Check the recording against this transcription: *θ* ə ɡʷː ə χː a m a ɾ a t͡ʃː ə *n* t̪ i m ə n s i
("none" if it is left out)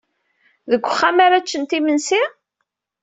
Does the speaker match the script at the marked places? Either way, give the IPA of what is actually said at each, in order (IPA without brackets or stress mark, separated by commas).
ð, n